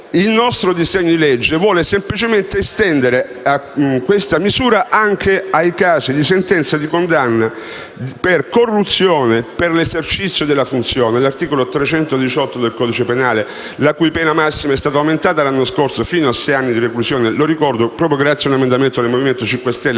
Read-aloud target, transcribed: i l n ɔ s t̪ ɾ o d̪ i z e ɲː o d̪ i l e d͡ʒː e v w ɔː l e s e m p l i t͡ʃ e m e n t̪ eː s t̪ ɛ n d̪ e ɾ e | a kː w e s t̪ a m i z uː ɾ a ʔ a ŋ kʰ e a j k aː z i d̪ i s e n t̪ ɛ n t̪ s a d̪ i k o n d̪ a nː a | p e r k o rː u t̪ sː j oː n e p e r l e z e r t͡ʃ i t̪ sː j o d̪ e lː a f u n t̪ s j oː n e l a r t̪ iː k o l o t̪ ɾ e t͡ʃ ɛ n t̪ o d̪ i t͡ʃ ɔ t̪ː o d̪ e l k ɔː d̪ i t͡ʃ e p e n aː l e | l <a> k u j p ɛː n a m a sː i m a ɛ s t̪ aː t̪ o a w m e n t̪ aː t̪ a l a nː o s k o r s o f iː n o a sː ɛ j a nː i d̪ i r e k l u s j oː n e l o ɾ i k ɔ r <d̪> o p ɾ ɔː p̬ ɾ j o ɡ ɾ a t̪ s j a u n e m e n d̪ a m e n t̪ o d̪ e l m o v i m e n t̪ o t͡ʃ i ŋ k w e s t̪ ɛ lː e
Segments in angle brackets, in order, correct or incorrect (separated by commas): correct, correct